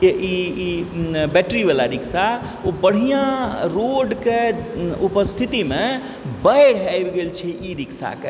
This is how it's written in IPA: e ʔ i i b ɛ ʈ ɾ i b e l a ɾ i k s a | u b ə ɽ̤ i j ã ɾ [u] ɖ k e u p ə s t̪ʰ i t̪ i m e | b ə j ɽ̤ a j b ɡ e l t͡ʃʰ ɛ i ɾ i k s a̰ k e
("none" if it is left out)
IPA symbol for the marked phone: o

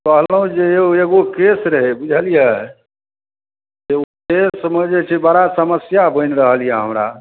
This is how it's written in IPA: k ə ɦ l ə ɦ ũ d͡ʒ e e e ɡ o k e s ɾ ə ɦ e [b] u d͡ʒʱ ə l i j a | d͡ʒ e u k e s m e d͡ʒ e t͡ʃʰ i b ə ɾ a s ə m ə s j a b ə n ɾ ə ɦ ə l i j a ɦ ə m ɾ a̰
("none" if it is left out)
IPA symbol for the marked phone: b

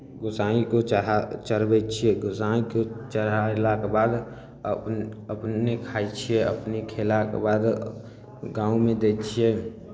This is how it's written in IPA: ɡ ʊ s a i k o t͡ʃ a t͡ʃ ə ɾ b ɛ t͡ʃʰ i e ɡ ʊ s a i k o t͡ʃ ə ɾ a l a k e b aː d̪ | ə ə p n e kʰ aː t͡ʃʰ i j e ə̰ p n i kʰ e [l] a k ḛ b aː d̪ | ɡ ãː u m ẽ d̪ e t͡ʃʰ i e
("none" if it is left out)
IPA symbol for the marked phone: l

